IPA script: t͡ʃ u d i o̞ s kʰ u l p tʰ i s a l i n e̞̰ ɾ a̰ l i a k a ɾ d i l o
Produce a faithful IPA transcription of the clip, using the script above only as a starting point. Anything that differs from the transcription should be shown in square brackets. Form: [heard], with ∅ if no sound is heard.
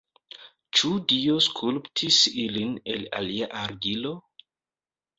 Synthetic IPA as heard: t͡ʃ u d i o̞ s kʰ u l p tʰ i s [i] l i n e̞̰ [l] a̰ l i a [ʔ] a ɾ [ɡ] i l o

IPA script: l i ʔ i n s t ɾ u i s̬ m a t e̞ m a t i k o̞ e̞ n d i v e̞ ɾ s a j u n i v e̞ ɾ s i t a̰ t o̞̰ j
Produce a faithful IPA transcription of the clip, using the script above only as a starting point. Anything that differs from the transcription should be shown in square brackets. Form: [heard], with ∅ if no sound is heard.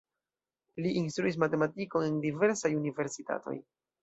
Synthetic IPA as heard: l i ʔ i n s t ɾ u i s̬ m a t e̞ m a t i k o̞ e̞ n d i v e̞ ɾ s a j u n i v e̞ ɾ s i t a̰ t o̞̰ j

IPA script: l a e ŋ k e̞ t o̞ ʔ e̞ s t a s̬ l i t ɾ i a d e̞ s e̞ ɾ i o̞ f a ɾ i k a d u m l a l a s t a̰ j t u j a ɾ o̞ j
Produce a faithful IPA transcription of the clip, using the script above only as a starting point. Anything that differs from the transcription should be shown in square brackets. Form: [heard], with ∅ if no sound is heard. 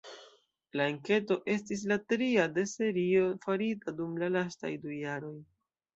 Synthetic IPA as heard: l a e ŋ k e̞ t o̞ ʔ e̞ s t [i] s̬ l [a] t ɾ i a d e̞ s e̞ ɾ i o̞ f a ɾ i [t] a d u m l a l a s t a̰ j [d] u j a ɾ o̞ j

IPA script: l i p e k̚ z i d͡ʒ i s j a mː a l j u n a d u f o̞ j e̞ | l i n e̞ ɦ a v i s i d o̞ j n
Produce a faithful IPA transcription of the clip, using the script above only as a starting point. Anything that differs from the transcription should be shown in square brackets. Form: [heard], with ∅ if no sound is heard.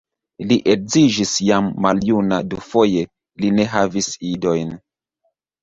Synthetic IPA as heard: l i [ʔ] e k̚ z i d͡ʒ i s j a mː a l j u n a d u f o̞ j e̞ | l i n e̞ ɦ a v i s i d o̞ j n

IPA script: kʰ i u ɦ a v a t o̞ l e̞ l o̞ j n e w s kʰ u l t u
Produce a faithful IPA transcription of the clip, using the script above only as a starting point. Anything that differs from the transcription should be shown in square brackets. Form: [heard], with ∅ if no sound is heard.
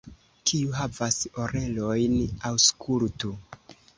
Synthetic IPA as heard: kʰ i u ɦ a v a [s] o̞ [ɾ] e̞ l o̞ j n [a] w s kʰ u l t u

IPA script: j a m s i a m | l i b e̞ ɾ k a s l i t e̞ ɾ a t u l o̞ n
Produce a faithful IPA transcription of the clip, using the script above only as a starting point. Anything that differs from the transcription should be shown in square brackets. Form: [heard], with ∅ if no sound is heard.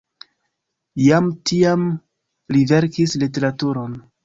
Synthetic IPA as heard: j a m [t] i a m | l i [v] e̞ ɾ k [i] s l i t e̞ ɾ a t u [ɾ] o̞ n

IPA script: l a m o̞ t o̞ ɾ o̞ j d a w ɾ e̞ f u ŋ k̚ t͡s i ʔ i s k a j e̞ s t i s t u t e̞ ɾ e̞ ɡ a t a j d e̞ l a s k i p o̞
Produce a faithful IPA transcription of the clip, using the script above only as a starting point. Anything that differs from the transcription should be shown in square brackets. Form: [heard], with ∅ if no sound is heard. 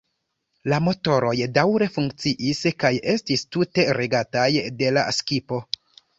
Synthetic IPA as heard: l a m o̞ t o̞ ɾ o̞ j d a w ɾ e̞ f u ŋ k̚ t͡s i ʔ i s k a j e̞ s t i s t u t e̞ ɾ e̞ ɡ a t a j d e̞ l a s k i p o̞

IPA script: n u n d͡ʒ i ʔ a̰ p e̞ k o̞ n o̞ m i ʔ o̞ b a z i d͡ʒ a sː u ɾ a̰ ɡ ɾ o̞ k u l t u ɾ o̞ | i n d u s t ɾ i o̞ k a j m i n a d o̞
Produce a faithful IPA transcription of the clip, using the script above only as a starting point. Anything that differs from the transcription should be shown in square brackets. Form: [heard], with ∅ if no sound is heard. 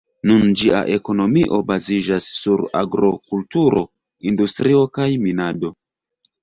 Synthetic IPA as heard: n u n d͡ʒ i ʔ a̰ [ʔ] e̞ k o̞ n o̞ m i ʔ o̞ b a z i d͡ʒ a sː u ɾ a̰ ɡ ɾ o̞ k u l t u ɾ o̞ | i n d u s t ɾ i o̞ k a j m i n a d o̞

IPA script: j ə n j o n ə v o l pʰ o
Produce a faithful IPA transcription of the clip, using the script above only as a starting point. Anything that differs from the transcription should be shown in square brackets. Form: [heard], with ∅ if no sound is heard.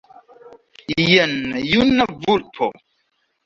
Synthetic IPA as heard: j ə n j [u] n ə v [u] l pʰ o

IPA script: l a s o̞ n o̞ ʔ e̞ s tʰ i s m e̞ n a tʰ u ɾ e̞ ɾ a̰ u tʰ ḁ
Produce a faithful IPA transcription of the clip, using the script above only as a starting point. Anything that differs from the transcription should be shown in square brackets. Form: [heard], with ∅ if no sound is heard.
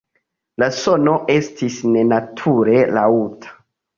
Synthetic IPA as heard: l a s o̞ n o̞ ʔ e̞ s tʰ i s [n] e̞ n a tʰ u ɾ e̞ [l] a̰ u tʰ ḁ

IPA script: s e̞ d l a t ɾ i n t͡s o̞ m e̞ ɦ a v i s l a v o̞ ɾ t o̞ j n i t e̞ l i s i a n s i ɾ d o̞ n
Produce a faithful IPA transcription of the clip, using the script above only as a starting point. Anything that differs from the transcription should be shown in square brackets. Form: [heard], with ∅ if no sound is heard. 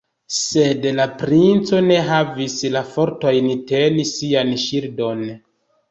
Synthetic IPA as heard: s e̞ d l a [p] ɾ i n t͡s o̞ [n] e̞ ɦ a v i s l a [f] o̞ ɾ t o̞ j n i t e̞ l i s i a n [ʃ] i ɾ d o̞ n

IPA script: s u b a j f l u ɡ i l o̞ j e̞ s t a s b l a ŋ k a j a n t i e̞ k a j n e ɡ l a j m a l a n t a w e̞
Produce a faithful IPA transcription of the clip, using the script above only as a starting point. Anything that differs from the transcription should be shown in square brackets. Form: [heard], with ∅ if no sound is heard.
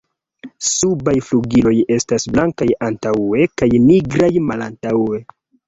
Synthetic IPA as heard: s u b a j f l u ɡ i l o̞ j e̞ s t a s b l a ŋ k a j a n t [a] e̞ k a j n [i] ɡ [ɾ] a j m a l a n t a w e̞

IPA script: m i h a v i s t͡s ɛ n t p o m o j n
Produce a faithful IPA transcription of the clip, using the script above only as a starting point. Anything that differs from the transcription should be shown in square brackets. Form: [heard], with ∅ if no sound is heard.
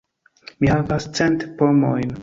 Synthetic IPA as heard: m i h a v [a] s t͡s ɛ n t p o m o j n

